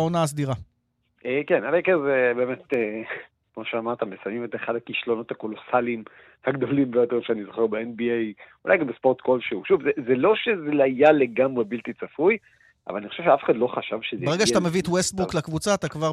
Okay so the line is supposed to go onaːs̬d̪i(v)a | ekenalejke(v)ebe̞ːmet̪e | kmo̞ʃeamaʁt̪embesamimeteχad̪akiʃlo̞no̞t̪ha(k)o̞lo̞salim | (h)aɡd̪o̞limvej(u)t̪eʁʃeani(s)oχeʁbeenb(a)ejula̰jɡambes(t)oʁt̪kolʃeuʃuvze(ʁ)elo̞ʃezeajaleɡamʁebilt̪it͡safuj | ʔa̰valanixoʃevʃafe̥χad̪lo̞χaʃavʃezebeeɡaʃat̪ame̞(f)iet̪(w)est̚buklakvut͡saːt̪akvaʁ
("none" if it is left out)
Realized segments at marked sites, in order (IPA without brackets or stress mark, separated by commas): ʁ, z, k, h, o, z, i, p, z, v, w